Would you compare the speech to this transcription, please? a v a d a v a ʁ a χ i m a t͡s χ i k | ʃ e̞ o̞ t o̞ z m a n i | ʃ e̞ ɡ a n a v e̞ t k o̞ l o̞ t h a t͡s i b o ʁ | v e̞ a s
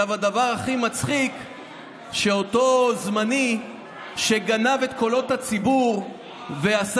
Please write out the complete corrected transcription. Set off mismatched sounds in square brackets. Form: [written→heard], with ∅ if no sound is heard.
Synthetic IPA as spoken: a v a d a v a ʁ a χ i m a t͡s χ i k | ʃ e̞ o̞ t o̞ z m a n i | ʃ e̞ ɡ a n a v e̞ t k o̞ l o̞ t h a t͡s i b [o→u] ʁ | v e̞ a s

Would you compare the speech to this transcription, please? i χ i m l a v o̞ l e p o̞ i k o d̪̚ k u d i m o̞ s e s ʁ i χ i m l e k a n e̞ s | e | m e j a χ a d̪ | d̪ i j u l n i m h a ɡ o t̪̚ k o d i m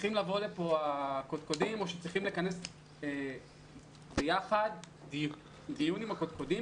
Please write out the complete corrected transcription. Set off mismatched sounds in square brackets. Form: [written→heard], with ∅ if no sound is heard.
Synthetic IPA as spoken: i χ i m l a v o̞ l e p o̞ [i→a] k o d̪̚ k [u→o] d i m o̞ [s→ʃ] e [s→t͡s] ʁ i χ i m l e k a n e̞ s | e | [m→b] e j a χ a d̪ | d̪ i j u [l→∅] n i m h a [ɡ→k] o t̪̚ k o d i m

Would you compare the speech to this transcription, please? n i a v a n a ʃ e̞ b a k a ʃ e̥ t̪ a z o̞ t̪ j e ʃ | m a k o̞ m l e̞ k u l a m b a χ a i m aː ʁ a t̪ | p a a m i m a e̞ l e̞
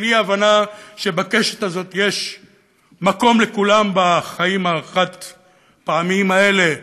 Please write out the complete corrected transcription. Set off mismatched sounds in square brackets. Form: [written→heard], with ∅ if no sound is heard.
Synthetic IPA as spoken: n i a v a n a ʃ e̞ b a k [a→e] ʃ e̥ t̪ a z o̞ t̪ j e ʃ | m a k o̞ m l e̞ k u l a m b a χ a i m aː [ʁ→χ] a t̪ | p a a m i m a e̞ l e̞

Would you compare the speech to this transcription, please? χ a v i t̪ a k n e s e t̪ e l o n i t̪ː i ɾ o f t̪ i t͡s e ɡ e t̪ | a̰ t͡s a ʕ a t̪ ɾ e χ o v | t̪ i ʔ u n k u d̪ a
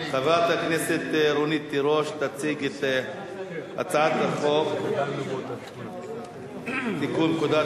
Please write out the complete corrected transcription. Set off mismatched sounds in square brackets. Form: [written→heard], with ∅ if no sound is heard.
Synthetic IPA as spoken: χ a v [i→a] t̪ a k n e s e t̪ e [l→ɾ] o n i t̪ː i ɾ o [f→ʃ] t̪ [i→a] t͡s [e→i] ɡ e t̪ | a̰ t͡s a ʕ a t̪ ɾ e χ o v | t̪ i [ʔ→k] u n k u d̪ a

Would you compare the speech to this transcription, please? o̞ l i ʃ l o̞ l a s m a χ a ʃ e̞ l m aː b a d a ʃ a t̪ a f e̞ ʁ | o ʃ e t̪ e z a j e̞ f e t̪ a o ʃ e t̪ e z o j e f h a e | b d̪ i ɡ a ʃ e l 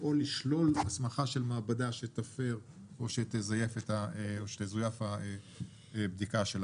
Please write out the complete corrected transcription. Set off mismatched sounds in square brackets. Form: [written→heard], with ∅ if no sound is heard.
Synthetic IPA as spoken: o̞ l i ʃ l o̞ l a s m a χ a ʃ e̞ l m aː b a d a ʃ [a→e] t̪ a f e̞ ʁ | o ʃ e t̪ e z a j e̞ f e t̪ a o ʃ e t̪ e z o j [e→a] f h a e | b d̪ i [ɡ→k] a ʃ e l

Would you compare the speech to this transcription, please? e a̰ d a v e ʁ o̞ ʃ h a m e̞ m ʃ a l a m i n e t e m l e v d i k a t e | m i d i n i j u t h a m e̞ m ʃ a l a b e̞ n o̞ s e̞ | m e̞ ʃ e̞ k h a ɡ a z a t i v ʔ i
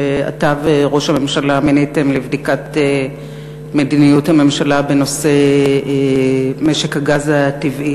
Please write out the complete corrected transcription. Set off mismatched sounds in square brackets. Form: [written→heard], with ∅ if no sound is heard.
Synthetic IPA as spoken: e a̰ [d→t] a v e ʁ o̞ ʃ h a m e̞ m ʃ a l a m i n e t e m l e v d i k a t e | m [i→e] d i n i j u t h a m e̞ m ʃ a l a b e̞ n o̞ s e̞ | m e̞ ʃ e̞ k h a ɡ a z a t i v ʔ i

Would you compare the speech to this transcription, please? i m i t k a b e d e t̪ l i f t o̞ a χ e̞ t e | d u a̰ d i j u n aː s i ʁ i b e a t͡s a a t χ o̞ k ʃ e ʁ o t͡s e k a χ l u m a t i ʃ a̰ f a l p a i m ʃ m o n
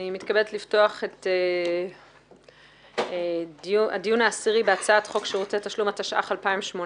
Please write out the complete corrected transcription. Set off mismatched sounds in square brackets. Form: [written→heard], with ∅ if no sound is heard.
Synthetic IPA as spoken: i m i t k a b e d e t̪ l i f t o̞ a χ e̞ t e | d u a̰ d i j u n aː s i ʁ i b e a t͡s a a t χ o̞ k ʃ e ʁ o t͡s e [k→t] a [χ→ʃ] l u m a t [i→a] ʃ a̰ [f→χ] a l p a i m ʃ m o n

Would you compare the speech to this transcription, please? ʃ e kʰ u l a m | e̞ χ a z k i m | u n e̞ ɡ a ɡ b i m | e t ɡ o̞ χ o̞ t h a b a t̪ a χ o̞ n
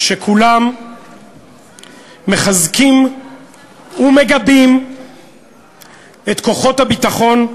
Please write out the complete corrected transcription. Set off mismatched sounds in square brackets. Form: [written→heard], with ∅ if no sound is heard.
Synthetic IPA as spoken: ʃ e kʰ u l a m | e̞ χ a z k i m | u [n→m] e̞ ɡ a [ɡ→∅] b i m | e t [ɡ→k] o̞ χ o̞ t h a b [a→i] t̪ a χ o̞ n

